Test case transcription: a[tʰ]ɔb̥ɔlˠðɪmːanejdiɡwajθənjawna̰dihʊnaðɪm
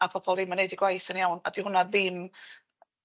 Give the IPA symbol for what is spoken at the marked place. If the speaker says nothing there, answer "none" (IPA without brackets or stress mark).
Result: pʰ